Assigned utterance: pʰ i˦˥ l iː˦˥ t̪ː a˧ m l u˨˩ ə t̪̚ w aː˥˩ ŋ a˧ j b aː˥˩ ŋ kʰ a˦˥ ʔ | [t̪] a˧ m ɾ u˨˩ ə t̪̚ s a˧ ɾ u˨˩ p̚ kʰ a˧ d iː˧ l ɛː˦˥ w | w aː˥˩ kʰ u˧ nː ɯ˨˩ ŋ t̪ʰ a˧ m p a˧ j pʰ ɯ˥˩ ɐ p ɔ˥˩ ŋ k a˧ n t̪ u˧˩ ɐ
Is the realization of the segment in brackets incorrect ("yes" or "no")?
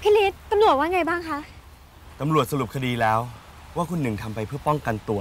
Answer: no